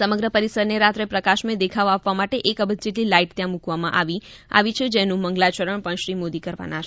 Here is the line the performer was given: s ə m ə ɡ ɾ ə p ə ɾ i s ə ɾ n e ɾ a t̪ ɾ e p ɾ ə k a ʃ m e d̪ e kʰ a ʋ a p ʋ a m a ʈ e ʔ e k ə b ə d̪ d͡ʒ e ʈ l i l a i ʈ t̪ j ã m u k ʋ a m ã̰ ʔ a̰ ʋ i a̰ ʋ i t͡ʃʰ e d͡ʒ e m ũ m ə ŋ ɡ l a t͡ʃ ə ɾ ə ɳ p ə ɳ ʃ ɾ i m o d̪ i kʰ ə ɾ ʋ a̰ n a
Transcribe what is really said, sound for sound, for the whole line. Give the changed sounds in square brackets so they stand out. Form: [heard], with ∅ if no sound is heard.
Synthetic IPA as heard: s ə m ə ɡ ɾ ə p ə ɾ i s ə ɾ n e ɾ a t̪ ɾ e p ɾ ə k a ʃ m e d̪ e kʰ a ʋ a p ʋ a m a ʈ e ʔ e k ə b ə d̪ d͡ʒ e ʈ l i l a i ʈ t̪ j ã m u k ʋ a m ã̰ ʔ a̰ ʋ i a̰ ʋ i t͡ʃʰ e d͡ʒ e [n] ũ m ə ŋ ɡ l a t͡ʃ ə ɾ ə ɳ p ə ɳ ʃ ɾ i m o d̪ i [k] ə ɾ ʋ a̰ n a